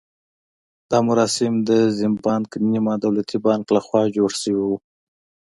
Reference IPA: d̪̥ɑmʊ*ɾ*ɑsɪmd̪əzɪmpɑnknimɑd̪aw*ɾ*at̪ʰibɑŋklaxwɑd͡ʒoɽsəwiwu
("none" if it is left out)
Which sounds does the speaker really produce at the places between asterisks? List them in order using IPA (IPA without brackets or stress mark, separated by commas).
ɾ, l